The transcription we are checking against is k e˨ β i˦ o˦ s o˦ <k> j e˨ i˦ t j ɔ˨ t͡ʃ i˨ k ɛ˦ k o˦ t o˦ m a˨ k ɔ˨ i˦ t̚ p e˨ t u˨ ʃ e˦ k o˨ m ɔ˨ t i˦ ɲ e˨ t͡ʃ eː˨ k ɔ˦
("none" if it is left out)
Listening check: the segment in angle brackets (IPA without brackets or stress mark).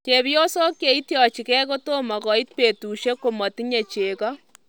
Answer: k